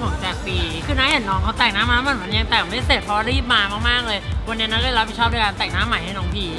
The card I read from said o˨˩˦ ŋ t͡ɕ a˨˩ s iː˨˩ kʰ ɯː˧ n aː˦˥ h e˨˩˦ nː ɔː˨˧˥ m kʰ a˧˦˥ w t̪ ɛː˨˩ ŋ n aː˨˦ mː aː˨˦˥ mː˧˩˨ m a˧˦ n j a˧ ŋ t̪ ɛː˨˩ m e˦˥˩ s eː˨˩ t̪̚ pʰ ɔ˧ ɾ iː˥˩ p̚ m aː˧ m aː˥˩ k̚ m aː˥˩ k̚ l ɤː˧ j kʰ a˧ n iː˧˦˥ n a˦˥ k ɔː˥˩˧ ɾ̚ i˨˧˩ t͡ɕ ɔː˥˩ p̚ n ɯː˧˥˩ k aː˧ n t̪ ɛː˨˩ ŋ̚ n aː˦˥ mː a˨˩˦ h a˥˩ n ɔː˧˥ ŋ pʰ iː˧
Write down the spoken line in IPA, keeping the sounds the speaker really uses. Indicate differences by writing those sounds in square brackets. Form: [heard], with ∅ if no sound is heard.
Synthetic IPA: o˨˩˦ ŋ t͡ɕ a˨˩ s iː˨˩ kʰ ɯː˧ n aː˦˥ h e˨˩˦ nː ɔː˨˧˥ [ŋ] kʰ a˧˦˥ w t̪ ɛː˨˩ ŋ n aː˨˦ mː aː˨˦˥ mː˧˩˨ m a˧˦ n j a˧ ŋ t̪ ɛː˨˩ m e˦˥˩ s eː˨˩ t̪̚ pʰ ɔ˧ ɾ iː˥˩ p̚ m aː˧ m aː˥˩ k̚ m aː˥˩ k̚ l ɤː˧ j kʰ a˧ n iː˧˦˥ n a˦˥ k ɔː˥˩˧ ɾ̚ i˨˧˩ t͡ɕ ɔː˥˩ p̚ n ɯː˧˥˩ k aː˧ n t̪ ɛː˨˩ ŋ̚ n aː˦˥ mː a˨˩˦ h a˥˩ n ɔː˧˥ ŋ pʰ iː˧